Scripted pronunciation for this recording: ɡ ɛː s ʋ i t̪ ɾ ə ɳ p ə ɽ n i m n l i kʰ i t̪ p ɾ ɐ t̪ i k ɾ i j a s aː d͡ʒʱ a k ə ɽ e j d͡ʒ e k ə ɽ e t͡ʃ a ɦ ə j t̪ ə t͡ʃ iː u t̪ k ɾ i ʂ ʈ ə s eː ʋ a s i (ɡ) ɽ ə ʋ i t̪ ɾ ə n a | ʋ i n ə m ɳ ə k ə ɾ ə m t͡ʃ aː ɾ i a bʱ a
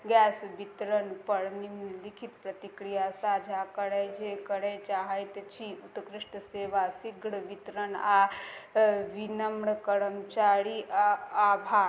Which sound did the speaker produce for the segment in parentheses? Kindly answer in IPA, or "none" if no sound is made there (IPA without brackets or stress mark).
ɡ